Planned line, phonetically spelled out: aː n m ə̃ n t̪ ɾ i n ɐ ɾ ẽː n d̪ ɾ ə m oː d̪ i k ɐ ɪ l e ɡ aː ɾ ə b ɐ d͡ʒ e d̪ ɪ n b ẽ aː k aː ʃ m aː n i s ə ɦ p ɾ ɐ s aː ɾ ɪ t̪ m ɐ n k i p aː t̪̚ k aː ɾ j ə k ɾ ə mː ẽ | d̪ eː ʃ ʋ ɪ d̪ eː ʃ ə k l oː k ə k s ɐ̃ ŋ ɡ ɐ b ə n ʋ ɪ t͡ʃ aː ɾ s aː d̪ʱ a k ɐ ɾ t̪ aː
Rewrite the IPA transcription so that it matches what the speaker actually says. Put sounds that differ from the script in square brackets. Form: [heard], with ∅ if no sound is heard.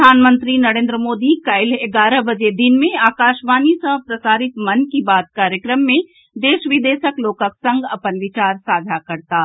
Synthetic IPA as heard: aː n m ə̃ n t̪ ɾ i n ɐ ɾ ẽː n d̪ ɾ ə m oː d̪ i k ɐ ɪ l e ɡ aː ɾ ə b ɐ d͡ʒ e d̪ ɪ n [m] ẽ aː k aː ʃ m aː n i s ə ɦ p ɾ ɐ s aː ɾ ɪ t̪ m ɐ n k i [b] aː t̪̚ k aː ɾ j ə k ɾ ə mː ẽ | d̪ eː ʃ ʋ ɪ d̪ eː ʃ ə k l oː k ə k s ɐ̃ ŋ ɡ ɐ [p] ə n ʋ ɪ t͡ʃ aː ɾ s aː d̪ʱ a k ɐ ɾ t̪ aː

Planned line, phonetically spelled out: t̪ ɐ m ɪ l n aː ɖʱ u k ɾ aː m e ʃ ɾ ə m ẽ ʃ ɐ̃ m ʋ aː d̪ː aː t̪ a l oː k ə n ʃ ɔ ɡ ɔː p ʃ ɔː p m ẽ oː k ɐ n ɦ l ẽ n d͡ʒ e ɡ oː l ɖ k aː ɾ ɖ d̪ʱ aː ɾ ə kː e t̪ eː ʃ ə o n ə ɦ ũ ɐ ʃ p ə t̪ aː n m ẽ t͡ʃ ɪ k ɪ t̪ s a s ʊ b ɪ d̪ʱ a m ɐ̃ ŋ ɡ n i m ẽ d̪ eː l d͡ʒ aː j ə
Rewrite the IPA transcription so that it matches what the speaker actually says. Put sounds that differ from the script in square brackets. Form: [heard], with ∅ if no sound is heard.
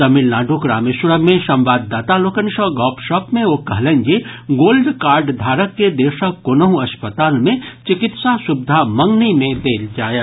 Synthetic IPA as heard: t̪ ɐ m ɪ l n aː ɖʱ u k ɾ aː m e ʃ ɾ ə m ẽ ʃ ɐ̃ m ʋ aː d̪ː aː t̪ a l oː k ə n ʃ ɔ ɡ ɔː p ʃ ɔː p m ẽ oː k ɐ [∅] ɦ l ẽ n d͡ʒ e ɡ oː l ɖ k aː ɾ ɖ d̪ʱ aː ɾ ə kː e [d̪] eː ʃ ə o n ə ɦ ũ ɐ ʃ p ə t̪ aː n m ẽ t͡ʃ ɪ k ɪ t̪ s a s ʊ b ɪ d̪ʱ a m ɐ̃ ŋ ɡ n i m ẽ d̪ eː l d͡ʒ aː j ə

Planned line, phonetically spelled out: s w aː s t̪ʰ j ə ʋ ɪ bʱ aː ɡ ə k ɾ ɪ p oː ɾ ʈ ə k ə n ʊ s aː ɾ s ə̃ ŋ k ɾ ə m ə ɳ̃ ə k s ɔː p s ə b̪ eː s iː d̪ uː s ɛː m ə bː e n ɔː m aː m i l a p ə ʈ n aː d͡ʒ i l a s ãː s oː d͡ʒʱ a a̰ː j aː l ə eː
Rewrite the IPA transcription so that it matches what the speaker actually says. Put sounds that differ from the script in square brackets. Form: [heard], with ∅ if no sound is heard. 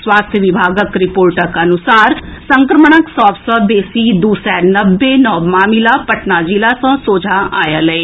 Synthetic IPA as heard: s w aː s t̪ʰ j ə ʋ ɪ bʱ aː ɡ ə k ɾ ɪ p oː ɾ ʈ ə k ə n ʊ s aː ɾ s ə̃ ŋ k ɾ ə m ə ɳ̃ ə k s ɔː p s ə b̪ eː s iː d̪ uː s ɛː [n] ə bː e n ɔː m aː m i l a p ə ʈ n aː d͡ʒ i l a s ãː s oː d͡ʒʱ a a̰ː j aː l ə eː

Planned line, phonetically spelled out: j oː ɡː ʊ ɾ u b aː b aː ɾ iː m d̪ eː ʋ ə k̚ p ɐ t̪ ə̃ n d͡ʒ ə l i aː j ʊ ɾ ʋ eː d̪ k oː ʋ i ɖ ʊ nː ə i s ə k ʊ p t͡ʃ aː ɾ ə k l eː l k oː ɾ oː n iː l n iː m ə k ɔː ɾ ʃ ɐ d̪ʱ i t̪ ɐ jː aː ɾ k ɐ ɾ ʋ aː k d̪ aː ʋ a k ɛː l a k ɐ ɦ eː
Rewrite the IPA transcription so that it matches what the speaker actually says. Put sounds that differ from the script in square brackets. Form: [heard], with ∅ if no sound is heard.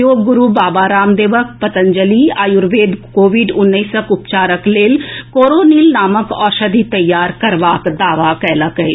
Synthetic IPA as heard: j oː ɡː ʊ ɾ u b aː b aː ɾ [aː] m d̪ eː ʋ ə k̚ p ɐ t̪ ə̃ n d͡ʒ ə l i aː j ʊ ɾ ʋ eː d̪ k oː ʋ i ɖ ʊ nː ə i s ə k ʊ p t͡ʃ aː ɾ ə k l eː l k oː ɾ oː n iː l n [aː] m ə k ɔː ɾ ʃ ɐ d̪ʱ i t̪ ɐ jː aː ɾ k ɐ ɾ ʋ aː k d̪ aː ʋ a k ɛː l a k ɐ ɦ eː

